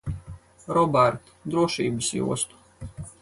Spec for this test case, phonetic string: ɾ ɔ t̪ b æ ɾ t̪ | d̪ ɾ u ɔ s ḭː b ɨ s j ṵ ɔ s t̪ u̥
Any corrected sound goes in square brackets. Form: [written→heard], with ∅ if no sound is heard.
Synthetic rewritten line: ɾ ɔ [t̪→∅] b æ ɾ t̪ | d̪ ɾ u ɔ [s→ʃ] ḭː b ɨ s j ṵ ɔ s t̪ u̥